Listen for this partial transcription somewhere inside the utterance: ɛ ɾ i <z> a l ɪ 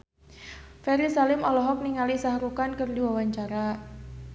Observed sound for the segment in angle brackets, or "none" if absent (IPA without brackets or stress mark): s